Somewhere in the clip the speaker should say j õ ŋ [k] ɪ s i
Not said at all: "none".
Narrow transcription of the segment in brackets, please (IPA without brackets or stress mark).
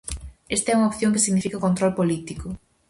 k